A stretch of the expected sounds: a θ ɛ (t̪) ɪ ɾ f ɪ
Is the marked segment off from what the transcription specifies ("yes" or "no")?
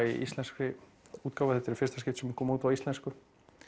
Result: no